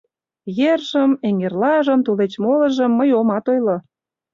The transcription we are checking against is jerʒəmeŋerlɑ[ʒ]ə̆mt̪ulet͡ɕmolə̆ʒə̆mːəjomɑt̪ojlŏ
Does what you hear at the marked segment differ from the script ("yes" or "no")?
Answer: no